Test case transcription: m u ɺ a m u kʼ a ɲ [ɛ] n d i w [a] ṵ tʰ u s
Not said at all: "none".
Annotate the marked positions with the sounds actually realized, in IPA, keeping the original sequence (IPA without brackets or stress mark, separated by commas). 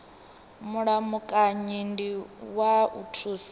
i, a